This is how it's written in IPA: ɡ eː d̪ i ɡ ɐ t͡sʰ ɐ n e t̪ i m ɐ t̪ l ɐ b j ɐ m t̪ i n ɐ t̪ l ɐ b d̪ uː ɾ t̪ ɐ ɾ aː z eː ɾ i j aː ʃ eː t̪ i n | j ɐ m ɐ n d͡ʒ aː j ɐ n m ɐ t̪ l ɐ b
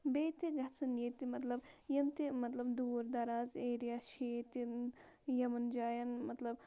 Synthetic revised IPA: b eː t̪ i ɡ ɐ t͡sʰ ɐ n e t̪ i m ɐ t̪ l ɐ b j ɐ m t̪ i m ɐ t̪ l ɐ b d̪ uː ɾ d̪ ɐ ɾ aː z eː ɾ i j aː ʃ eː t̪ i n | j ɐ m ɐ n d͡ʒ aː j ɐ n m ɐ t̪ l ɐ b